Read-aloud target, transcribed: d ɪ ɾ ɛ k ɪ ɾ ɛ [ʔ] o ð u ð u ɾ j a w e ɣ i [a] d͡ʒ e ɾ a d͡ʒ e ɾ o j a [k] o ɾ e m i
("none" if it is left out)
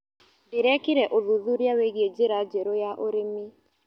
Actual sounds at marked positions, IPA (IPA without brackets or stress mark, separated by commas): ʔ, e, ʔ